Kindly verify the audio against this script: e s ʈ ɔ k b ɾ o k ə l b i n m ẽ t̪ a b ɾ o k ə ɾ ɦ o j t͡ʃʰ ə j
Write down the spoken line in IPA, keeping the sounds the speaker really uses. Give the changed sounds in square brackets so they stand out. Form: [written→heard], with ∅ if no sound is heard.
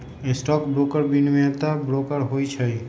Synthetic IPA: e s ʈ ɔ k b ɾ o k ə [l→ɾ] b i n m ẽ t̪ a b ɾ o k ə ɾ ɦ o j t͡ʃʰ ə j